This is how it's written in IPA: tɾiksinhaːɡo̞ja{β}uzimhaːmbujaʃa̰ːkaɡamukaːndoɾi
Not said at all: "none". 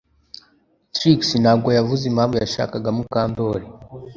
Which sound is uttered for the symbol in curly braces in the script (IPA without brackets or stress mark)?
v